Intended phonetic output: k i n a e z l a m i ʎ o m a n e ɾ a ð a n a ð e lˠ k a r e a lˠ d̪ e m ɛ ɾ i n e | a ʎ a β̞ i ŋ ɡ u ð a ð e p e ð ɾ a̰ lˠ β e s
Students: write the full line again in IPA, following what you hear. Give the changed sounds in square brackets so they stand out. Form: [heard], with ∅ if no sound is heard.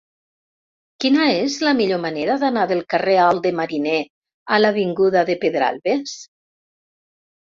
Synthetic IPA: k i n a e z l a m i ʎ o m a n e ɾ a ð a n a ð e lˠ k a r e a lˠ d̪ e m [a] ɾ i n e | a [l] a β̞ i ŋ ɡ u ð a ð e p e ð ɾ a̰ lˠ β e s